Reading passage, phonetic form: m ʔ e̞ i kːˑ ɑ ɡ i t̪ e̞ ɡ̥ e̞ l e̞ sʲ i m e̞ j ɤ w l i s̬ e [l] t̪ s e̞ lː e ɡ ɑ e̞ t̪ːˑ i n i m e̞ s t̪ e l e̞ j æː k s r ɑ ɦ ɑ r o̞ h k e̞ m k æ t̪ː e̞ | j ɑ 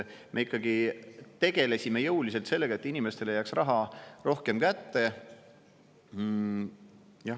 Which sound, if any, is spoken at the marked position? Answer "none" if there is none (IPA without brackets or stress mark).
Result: l